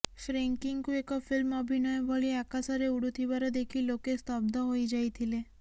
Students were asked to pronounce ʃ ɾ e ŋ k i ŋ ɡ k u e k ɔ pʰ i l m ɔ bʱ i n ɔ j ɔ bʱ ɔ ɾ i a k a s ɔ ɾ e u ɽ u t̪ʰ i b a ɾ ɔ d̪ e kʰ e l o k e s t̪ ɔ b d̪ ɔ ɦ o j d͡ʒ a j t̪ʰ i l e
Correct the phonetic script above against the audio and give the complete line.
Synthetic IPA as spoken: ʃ ɾ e ŋ k i ŋ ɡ k u e k ɔ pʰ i l m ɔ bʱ i n ɔ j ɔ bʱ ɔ ɭ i a k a s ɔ ɾ e u ɽ u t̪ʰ i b a ɾ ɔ d̪ e kʰ i l o k e s t̪ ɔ b d̪ ɔ ɦ o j d͡ʒ a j t̪ʰ i l e